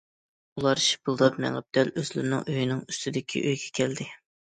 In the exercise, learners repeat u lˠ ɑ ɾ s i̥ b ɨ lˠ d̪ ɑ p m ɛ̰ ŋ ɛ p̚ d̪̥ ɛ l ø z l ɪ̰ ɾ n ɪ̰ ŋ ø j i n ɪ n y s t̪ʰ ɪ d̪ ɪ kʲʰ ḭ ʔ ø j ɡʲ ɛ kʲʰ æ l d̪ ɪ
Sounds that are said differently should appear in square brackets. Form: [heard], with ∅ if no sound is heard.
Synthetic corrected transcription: u lˠ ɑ ɾ [ʃ] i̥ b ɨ lˠ d̪ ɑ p m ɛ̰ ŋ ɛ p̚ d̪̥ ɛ l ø z l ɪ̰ ɾ n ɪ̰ ŋ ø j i n ɪ [ŋ] y s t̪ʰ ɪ d̪ ɪ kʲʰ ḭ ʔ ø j ɡʲ ɛ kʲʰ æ l d̪ ɪ